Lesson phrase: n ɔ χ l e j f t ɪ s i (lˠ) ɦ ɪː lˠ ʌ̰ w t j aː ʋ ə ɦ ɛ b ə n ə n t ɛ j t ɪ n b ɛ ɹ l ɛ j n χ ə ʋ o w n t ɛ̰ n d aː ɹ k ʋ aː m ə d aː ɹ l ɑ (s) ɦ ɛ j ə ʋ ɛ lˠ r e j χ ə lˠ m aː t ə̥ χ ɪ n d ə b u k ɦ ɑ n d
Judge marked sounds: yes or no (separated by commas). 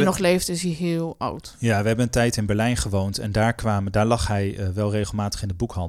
no, no